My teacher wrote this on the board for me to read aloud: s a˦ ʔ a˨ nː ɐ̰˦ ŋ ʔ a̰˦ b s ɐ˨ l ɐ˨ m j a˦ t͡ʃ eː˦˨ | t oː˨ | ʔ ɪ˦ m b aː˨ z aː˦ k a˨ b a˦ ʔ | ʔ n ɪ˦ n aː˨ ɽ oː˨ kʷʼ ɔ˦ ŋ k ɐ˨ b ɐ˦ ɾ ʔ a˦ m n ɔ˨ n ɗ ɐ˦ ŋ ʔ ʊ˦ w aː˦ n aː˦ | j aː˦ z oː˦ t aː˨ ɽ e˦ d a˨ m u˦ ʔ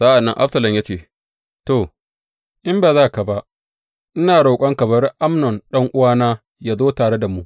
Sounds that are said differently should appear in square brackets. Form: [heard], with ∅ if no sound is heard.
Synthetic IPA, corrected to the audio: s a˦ ʔ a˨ nː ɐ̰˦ ŋ ʔ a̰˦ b s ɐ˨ l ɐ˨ m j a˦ t͡ʃ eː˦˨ | t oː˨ | ʔ ɪ˦ m b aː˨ z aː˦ k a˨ b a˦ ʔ | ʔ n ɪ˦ n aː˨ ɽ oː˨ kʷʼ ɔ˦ ŋ k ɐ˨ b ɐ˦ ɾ ʔ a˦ m n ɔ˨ n ɗ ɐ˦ ŋ ʔ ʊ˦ w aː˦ n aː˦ | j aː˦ z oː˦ t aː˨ ɽ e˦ d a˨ m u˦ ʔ